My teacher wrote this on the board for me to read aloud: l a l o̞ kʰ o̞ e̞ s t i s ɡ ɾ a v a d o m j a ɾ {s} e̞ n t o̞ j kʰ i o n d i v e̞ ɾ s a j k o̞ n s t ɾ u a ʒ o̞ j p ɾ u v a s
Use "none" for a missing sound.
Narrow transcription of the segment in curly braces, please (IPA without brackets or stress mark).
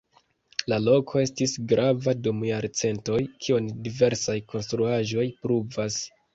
t͡s